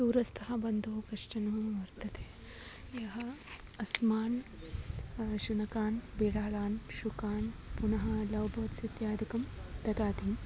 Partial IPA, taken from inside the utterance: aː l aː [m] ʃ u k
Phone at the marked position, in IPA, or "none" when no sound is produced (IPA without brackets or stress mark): n